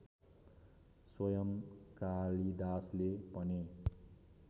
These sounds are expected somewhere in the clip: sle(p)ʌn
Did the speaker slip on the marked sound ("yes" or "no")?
no